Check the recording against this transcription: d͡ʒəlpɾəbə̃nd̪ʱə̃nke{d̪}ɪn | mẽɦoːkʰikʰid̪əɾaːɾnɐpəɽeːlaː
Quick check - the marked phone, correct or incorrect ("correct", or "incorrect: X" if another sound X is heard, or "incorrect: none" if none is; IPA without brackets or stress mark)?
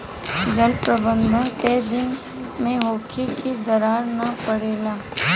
correct